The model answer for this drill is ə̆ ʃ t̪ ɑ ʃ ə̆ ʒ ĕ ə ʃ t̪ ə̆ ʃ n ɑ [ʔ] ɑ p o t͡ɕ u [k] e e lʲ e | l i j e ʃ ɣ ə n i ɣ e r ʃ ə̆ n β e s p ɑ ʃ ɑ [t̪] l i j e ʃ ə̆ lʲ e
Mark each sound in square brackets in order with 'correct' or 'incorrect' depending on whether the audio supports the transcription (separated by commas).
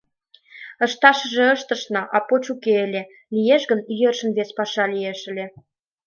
correct, correct, incorrect